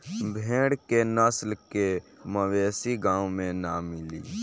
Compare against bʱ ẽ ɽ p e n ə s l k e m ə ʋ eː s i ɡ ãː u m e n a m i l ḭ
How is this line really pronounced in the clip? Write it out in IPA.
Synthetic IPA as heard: bʱ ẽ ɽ k e n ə s l k e m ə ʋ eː s i ɡ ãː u m e n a m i l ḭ